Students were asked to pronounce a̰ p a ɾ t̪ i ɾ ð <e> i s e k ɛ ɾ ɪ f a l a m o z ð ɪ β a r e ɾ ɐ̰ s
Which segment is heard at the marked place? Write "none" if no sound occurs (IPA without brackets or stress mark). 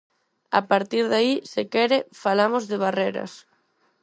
a